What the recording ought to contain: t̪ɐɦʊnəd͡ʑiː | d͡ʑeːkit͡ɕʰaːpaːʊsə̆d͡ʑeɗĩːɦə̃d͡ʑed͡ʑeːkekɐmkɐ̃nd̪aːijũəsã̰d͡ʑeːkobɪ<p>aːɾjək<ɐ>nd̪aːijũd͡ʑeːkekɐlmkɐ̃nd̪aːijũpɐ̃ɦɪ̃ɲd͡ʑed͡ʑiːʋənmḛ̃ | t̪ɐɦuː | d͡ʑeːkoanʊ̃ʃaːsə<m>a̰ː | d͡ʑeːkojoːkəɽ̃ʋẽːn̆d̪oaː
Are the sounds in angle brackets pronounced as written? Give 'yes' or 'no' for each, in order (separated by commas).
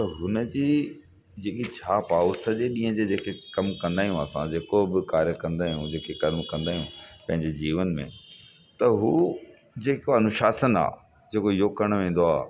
no, no, no